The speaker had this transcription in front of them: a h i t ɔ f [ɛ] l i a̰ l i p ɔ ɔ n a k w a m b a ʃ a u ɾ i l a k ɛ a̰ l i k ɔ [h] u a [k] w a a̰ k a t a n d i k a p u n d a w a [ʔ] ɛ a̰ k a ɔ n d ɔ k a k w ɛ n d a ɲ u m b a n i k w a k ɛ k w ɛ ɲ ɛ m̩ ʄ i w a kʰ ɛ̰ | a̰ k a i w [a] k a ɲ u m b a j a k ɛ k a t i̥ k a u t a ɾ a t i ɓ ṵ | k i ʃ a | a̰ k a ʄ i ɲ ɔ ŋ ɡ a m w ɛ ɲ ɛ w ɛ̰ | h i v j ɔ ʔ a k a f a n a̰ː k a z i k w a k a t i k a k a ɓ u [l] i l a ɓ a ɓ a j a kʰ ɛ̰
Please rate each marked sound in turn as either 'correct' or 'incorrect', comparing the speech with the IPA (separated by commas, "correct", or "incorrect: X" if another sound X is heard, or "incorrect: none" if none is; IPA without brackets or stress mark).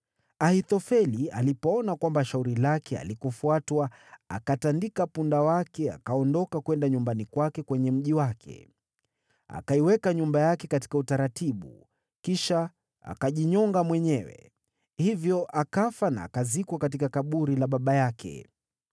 correct, incorrect: f, incorrect: t, incorrect: k, incorrect: ɛ, incorrect: ɾ